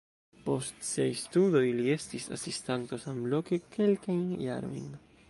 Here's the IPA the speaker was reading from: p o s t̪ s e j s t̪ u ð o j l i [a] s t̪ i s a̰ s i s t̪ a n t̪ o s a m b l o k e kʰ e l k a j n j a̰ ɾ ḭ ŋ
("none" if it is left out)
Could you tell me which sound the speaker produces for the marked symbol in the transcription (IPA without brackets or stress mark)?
e